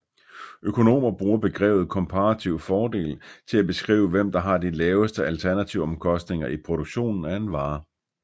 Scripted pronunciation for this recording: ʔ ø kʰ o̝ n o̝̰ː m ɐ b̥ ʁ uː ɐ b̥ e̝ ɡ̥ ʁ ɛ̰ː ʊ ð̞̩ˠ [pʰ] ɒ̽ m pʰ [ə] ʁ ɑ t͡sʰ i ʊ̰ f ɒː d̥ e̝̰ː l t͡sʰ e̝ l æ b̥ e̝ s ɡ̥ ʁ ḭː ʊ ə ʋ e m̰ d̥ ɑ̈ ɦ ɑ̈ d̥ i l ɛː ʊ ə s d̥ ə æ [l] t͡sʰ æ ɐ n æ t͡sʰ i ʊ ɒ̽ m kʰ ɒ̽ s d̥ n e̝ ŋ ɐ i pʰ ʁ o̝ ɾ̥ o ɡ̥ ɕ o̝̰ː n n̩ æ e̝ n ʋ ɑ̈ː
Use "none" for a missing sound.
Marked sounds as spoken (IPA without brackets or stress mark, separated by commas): kʰ, ɑ, l